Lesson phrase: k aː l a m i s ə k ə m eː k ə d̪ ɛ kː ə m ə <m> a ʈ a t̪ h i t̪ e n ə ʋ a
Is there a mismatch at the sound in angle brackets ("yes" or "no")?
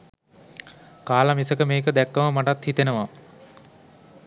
no